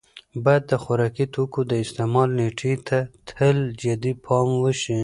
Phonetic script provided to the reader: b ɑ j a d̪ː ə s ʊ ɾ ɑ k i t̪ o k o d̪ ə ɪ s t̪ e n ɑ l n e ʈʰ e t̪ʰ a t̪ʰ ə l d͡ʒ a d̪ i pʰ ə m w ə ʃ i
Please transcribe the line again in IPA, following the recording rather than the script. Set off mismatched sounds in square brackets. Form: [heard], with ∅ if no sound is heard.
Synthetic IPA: b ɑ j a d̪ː ə [x] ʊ ɾ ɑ k i t̪ o k o d̪ ə ɪ s t̪ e [m] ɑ l n e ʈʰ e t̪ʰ a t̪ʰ ə l d͡ʒ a d̪ i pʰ [ɑ] m w ə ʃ i